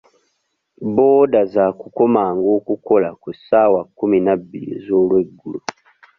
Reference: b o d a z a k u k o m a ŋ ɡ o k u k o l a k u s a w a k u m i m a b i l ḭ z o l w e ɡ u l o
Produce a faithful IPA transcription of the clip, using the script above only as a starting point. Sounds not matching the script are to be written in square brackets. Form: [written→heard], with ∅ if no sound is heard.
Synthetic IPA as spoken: b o d a z a k u k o m a ŋ ɡ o k u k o l a k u s a w a k u m i [m→n] a b i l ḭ z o l w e ɡ u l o

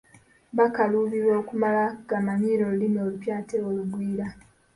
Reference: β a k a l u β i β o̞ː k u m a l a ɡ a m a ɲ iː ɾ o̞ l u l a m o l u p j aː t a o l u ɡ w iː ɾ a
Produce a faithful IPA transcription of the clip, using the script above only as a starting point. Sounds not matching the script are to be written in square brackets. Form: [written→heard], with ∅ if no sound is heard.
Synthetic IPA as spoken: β a k a l u β i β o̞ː k u m a l a ɡ a m a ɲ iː ɾ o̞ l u l [a→i] m o l u p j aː t [a→e] o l u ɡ w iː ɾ a

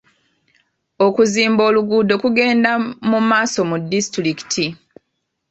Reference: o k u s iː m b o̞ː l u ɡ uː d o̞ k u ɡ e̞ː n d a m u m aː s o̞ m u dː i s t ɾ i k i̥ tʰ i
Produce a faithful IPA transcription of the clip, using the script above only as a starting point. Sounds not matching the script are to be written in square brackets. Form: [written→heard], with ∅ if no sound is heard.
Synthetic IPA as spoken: o k u [s→z] iː m b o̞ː l u ɡ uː d o̞ k u ɡ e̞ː n d a m u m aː s o̞ m u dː i s t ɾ i k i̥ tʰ i

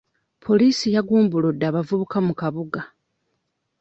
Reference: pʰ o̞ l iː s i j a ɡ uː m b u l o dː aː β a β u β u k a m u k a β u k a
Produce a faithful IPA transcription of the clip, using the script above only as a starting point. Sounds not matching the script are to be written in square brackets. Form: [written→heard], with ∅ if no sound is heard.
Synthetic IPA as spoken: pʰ o̞ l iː s i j a ɡ uː m b u l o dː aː β a [β→v] u β u k a m u k a β u [k→ɡ] a

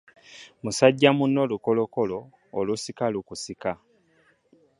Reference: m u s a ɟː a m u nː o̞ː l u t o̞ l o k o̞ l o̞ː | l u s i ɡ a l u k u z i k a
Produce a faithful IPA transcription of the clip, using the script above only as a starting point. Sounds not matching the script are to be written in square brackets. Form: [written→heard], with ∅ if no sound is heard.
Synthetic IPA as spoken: m u s a ɟː a m u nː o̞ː l u [t→k] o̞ l o k o̞ l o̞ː | l u s i [ɡ→k] a l u k u [z→s] i k a

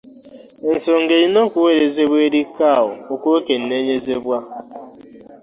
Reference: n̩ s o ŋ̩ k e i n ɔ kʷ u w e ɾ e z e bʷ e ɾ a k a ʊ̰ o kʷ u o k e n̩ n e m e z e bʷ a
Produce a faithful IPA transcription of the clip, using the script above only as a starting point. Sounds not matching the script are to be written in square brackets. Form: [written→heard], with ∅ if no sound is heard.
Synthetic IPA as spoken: n̩ s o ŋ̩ [k→ɡ] e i n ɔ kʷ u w e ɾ e z e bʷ e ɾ [a→i] k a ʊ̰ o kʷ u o k e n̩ n e [m→ɲ] e z e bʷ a

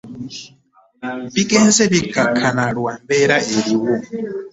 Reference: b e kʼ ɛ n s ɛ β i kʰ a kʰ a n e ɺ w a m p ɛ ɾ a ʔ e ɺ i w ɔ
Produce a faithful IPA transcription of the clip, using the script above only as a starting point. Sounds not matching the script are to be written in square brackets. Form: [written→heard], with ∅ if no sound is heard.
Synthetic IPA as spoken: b [e→i] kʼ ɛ n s ɛ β i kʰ a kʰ a n [e→a] ɺ w a m [p→b] ɛ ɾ a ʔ e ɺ i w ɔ

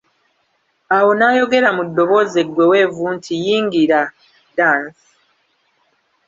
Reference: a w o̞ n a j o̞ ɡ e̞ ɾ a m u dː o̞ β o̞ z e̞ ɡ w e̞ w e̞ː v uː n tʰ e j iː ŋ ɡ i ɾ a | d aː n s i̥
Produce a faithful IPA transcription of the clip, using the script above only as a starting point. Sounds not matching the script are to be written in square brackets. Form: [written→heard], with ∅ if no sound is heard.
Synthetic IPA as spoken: a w o̞ n a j o̞ ɡ e̞ ɾ a m u dː o̞ β o̞ z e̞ ɡ w e̞ w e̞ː v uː n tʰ [e→i] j iː ŋ ɡ i ɾ a | d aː n s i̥

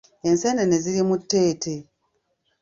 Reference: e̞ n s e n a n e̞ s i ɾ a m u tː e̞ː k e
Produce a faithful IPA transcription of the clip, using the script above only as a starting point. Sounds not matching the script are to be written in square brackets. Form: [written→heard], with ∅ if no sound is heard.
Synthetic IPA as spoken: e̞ n s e n [a→e] n e̞ [s→z] i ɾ [a→i] m u tː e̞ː [k→t] e

